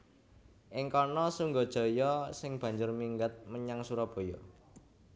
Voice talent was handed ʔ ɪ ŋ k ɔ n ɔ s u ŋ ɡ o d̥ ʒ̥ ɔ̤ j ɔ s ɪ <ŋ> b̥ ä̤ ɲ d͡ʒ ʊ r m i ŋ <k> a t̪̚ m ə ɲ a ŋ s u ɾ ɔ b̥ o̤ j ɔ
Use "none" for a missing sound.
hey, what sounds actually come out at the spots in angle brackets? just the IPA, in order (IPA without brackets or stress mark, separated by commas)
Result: ŋ, ɡ